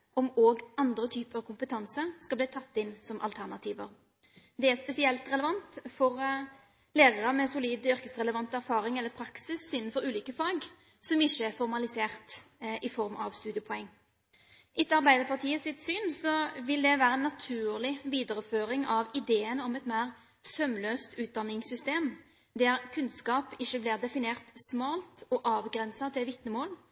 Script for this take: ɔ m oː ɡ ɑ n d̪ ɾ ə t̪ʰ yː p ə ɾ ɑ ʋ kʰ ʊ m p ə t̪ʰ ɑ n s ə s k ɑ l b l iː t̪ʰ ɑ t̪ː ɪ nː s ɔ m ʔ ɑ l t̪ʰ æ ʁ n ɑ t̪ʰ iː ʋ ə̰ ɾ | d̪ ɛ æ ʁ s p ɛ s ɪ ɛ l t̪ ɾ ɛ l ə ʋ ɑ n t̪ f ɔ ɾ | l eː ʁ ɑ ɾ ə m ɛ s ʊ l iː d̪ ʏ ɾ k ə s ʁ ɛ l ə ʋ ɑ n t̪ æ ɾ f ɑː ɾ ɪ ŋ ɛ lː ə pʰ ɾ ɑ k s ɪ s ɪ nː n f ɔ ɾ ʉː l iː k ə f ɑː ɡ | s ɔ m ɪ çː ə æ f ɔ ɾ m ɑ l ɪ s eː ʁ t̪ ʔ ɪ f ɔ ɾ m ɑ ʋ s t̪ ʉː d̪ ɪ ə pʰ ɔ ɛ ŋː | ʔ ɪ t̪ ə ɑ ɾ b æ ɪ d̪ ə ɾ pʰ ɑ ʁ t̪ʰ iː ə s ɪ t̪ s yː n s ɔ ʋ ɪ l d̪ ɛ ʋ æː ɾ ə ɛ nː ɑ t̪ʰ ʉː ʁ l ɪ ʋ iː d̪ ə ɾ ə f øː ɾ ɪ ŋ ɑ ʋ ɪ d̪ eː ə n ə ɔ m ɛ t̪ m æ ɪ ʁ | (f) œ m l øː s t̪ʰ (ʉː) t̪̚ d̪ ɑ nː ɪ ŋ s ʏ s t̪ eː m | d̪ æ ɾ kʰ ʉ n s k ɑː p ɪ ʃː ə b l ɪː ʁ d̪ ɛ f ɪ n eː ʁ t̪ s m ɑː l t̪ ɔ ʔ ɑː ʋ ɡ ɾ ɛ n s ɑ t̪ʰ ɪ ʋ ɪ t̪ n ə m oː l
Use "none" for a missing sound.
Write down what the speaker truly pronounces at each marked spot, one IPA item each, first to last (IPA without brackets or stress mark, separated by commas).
s, ʉː